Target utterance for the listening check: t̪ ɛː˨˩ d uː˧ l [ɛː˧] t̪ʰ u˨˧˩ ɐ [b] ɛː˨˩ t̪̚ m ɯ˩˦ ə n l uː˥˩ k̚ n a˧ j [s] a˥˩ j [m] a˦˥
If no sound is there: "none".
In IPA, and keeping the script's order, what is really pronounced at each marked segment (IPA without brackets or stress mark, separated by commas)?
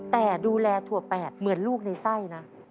ɛː˧, p, s, n